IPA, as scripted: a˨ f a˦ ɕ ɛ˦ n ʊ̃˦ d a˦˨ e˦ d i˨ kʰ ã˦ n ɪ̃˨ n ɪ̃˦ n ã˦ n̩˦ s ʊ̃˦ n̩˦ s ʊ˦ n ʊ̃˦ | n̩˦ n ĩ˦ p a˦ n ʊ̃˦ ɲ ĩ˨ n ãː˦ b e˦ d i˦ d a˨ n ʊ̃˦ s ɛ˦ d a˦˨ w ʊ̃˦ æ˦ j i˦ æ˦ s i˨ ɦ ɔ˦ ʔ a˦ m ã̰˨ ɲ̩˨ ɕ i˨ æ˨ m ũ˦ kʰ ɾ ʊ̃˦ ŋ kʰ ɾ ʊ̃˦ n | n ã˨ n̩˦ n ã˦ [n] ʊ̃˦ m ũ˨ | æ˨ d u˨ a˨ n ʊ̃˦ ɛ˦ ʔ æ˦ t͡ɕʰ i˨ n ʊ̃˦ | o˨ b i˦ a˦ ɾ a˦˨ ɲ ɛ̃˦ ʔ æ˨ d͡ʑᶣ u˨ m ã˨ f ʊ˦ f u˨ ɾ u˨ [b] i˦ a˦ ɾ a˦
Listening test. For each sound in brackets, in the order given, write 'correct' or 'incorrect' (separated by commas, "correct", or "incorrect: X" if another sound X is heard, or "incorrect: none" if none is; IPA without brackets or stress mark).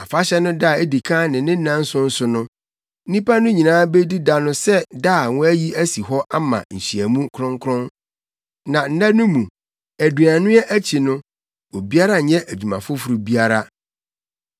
correct, correct